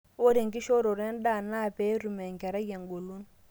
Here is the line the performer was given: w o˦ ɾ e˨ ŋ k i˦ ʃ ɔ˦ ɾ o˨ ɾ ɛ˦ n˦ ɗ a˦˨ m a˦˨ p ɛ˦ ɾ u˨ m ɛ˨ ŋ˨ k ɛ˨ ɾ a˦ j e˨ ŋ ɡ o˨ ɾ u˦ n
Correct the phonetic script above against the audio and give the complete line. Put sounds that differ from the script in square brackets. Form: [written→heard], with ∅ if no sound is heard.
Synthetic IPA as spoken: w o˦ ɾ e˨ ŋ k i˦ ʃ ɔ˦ ɾ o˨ ɾ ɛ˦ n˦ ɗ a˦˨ [m→n] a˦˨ p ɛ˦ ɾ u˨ m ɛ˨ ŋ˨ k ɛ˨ ɾ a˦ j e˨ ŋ ɡ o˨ [ɾ→l] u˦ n